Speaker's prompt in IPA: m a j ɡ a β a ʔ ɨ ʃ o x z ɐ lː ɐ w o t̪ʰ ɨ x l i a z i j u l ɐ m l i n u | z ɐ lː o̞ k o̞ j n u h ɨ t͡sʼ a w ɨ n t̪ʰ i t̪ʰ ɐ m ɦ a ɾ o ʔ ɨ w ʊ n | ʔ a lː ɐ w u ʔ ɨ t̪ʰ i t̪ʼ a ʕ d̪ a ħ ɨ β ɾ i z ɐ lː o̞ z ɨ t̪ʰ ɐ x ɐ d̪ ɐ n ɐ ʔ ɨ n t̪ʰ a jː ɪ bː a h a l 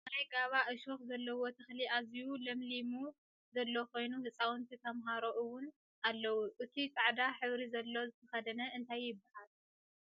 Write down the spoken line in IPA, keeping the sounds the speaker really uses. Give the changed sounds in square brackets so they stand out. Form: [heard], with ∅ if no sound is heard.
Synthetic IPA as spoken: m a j ɡ a β a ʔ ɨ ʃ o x z ɐ lː ɐ w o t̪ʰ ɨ x l i a z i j u l ɐ m l i [m] u | z ɐ lː o̞ k o̞ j n u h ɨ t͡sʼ a w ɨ n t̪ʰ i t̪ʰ ɐ m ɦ a ɾ o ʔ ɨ w ʊ n | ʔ a lː ɐ w u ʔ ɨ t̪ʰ i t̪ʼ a ʕ d̪ a ħ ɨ β ɾ i z ɐ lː o̞ z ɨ t̪ʰ ɐ x ɐ d̪ ɐ n ɐ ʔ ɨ n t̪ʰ a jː ɪ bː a h a l